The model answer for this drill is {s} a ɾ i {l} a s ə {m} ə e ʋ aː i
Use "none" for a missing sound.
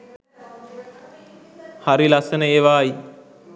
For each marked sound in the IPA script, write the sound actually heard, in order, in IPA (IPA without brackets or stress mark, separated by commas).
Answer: h, l, n